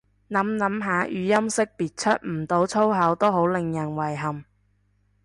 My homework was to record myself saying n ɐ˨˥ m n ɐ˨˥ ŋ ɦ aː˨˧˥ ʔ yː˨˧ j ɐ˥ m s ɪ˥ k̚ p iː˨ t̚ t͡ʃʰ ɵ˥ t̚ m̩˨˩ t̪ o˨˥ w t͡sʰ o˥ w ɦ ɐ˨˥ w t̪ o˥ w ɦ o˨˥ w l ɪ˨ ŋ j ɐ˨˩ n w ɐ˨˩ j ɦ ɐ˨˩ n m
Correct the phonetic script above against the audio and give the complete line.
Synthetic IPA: n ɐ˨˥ m n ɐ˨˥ m ɦ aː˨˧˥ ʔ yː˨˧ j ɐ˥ m s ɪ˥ k̚ p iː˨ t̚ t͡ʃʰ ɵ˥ t̚ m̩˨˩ t̪ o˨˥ w t͡sʰ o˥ w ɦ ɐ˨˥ w t̪ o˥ w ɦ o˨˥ w l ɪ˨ ŋ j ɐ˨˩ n w ɐ˨˩ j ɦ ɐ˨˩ m